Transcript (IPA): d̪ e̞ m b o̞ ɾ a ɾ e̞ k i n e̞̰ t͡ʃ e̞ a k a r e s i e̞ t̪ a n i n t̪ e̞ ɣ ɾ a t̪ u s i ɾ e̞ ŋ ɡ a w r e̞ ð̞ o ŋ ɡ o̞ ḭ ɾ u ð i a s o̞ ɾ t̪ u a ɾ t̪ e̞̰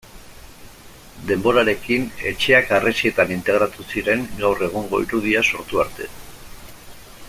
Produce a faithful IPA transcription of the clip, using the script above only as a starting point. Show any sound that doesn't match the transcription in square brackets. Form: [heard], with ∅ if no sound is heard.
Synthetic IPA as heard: d̪ e̞ m b o̞ ɾ a ɾ e̞ k i n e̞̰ t͡ʃ e̞ a k a r e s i e̞ t̪ a n i n t̪ e̞ ɣ ɾ a t̪ u s i ɾ e̞ ŋ ɡ a w r e̞ [ɣ̞] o ŋ ɡ o̞ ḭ ɾ u ð i a s o̞ ɾ t̪ u a ɾ t̪ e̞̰